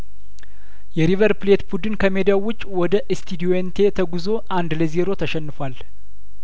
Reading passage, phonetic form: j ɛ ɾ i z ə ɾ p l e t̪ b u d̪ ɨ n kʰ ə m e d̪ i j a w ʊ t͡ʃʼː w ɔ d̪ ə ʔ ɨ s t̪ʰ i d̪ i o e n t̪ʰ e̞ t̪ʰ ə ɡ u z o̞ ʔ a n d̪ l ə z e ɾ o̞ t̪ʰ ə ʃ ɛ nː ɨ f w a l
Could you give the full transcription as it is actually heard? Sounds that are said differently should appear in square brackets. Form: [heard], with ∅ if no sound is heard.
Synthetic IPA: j ɛ ɾ i [v] ə ɾ p l e t̪ b u d̪ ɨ n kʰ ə m e d̪ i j a w ʊ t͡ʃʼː w ɔ d̪ ə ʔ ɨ s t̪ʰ i d̪ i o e n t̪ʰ e̞ t̪ʰ ə ɡ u z o̞ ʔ a n d̪ l ə z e ɾ o̞ t̪ʰ ə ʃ ɛ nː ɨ f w a l